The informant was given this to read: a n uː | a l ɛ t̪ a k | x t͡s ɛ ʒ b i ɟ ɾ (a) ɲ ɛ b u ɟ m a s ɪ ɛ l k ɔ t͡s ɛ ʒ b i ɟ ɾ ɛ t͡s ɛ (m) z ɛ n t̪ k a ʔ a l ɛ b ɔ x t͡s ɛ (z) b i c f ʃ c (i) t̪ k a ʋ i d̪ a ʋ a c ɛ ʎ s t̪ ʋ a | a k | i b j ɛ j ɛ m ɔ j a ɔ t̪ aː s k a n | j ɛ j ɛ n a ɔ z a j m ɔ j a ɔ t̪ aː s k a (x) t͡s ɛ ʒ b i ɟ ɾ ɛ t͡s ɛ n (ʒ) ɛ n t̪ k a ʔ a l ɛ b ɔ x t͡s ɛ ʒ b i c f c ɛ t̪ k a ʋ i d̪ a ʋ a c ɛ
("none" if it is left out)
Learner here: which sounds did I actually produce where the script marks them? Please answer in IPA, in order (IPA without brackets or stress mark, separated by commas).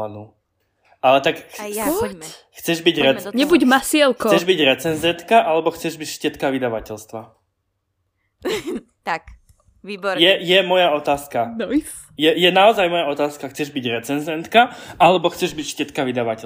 ɛ, n, ʒ, ɛ, x, z